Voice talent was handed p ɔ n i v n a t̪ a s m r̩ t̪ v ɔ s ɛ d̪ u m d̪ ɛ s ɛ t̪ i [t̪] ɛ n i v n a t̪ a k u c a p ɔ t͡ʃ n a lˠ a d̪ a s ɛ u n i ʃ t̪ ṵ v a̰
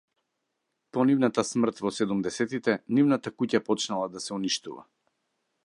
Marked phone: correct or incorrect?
correct